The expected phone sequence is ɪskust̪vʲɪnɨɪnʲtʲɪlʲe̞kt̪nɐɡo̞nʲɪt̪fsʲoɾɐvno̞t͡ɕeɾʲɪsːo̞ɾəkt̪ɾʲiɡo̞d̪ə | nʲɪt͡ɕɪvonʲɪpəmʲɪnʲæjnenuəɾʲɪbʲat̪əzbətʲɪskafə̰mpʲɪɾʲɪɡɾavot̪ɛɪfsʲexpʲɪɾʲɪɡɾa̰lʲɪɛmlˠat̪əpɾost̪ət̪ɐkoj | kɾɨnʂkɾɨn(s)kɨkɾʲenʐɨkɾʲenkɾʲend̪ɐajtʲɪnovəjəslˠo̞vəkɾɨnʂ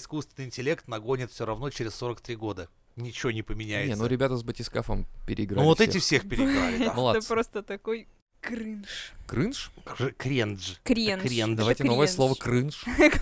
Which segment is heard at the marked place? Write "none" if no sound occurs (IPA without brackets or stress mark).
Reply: ʂ